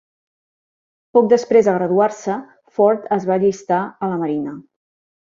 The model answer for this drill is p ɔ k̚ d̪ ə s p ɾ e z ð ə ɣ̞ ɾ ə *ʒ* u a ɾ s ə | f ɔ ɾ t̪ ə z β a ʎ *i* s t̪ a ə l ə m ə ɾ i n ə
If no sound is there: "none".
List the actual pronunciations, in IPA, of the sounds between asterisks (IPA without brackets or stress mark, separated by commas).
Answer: ð, i